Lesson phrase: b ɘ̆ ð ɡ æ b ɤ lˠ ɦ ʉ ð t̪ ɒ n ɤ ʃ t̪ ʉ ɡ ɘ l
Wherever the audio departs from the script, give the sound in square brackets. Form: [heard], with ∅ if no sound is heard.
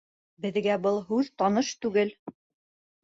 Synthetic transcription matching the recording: b ɘ̆ ð ɡ æ b ɤ lˠ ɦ ʉ ð t̪ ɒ n ɤ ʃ t̪ ʉ ɡ ɘ l